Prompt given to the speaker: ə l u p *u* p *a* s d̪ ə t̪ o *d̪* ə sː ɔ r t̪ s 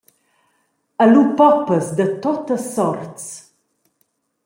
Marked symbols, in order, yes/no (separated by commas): no, no, no